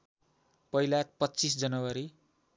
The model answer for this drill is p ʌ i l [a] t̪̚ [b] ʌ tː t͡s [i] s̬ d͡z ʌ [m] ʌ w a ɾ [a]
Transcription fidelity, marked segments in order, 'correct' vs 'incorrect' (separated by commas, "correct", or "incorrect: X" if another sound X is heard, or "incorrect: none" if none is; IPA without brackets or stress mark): correct, incorrect: p, correct, incorrect: n, incorrect: i